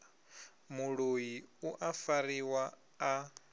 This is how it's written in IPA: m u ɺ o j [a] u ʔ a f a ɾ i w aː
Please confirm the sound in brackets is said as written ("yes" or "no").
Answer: no